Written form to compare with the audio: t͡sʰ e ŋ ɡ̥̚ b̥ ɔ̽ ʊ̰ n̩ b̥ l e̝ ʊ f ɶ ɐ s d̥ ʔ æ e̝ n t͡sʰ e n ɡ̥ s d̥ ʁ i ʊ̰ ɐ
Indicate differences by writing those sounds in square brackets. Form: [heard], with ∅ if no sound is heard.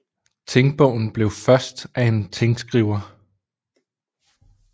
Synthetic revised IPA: t͡sʰ e ŋ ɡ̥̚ b̥ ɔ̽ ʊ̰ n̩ b̥ l e̝ ʊ f ɶ ɐ s d̥ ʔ æ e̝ n t͡sʰ e [ŋ] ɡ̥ s [ɡ̥] ʁ i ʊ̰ ɐ